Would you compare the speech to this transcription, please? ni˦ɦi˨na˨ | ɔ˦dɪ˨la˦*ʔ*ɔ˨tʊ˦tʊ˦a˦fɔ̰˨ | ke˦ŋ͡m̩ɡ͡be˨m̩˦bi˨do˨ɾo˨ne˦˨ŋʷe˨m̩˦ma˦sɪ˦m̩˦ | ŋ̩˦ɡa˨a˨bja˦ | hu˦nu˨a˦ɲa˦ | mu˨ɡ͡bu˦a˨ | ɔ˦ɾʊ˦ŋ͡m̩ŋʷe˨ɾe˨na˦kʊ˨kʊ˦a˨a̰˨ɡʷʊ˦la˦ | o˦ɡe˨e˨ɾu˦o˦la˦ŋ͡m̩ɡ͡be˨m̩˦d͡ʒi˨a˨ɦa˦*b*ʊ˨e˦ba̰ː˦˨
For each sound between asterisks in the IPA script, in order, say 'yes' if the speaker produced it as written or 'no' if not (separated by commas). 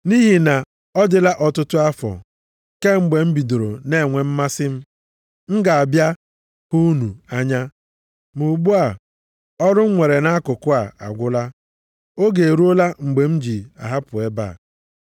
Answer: yes, no